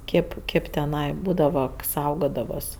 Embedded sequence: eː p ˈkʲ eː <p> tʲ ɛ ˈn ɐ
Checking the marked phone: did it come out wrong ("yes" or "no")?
no